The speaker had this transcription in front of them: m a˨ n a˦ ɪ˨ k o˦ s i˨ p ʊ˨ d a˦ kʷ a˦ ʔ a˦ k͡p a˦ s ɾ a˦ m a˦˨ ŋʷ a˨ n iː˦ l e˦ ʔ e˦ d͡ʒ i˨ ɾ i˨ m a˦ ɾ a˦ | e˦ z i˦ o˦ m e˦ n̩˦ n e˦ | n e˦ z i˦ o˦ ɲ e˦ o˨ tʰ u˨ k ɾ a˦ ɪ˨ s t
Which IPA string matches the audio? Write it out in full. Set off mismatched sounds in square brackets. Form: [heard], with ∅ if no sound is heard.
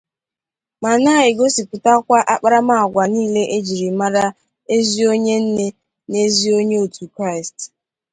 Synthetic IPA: m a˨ n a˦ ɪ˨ [ɡ] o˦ s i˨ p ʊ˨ [t] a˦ kʷ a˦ ʔ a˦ k͡p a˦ [∅] ɾ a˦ m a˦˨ [ɡʷ] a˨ n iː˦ l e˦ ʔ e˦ d͡ʒ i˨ ɾ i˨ m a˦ ɾ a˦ | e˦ z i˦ o˦ [ɲ] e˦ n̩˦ n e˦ | n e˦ z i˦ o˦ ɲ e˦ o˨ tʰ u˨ k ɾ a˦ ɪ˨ s t